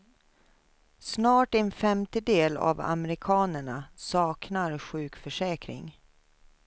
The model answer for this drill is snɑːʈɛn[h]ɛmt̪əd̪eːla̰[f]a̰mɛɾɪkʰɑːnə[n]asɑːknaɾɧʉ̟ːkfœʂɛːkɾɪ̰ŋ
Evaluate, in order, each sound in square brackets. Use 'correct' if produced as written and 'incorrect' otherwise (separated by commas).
incorrect, incorrect, incorrect